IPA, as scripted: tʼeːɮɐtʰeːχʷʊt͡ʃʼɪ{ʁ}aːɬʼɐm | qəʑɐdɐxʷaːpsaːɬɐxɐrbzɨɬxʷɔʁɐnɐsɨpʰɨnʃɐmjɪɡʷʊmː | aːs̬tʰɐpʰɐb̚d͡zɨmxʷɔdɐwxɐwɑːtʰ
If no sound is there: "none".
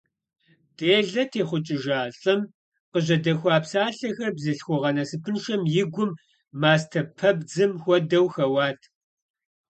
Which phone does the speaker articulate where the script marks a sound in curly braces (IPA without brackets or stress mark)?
ʒ